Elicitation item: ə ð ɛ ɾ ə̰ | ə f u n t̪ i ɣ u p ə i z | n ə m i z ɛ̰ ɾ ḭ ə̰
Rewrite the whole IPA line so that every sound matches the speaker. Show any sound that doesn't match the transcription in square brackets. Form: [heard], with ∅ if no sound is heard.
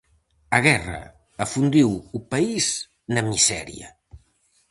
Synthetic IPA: ə [ɣ] ɛ [r] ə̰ | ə f u n [d̪] i [w] u p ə i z | n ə m i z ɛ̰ ɾ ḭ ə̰